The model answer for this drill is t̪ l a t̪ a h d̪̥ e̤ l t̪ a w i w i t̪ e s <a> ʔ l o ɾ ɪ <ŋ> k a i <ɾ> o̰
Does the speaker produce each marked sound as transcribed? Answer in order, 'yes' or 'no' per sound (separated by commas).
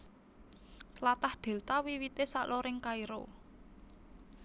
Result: yes, yes, yes